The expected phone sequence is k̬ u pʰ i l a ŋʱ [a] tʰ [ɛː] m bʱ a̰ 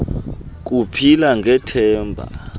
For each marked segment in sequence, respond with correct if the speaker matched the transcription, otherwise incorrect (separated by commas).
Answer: incorrect, correct